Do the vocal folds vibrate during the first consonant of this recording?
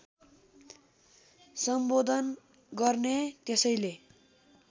no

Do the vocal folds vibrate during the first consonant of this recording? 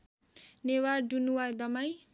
yes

